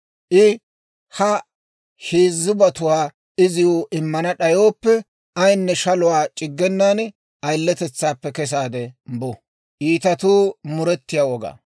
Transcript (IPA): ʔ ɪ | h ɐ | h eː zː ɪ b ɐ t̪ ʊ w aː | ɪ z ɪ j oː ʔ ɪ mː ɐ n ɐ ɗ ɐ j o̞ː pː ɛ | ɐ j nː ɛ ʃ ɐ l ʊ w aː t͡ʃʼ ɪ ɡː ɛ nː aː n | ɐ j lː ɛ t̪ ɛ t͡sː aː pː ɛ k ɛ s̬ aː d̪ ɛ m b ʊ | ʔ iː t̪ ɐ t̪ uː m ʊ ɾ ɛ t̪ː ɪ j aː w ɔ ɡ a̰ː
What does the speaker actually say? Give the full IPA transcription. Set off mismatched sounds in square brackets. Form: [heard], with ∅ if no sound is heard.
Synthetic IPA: ʔ ɪ | h ɐ | h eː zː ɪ b ɐ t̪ ʊ w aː | ɪ z ɪ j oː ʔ ɪ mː ɐ n ɐ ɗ ɐ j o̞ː pː ɛ | ɐ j nː ɛ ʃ ɐ l ʊ w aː t͡ʃʼ ɪ ɡː ɛ nː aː n | ɐ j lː ɛ t̪ ɛ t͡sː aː pː ɛ k ɛ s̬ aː d̪ ɛ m b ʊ | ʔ iː t̪ ɐ t̪ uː m ʊ ɾ ɛ t̪ː ɪ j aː w ɔ ɡ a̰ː